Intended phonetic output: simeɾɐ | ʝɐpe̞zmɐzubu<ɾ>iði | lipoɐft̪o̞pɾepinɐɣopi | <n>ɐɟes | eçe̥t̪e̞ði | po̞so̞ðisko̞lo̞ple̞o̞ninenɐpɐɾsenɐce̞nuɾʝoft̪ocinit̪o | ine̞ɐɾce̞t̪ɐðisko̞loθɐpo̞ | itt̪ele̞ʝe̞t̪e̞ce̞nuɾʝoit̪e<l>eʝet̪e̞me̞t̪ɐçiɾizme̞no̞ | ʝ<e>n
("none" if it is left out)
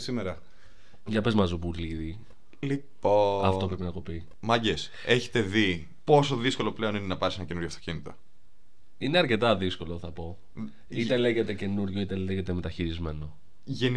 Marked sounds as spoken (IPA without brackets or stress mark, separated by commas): l, m, l, e